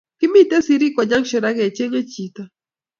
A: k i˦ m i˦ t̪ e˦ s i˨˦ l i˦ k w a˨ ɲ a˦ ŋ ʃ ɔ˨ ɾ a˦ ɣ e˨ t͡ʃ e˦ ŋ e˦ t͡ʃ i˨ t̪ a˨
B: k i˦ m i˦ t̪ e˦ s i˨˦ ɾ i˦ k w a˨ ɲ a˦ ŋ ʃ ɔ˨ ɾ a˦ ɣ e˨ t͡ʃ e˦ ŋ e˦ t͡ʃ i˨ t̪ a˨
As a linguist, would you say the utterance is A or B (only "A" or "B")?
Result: B